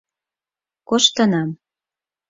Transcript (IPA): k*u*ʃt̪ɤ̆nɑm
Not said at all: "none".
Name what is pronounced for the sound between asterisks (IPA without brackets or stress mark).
o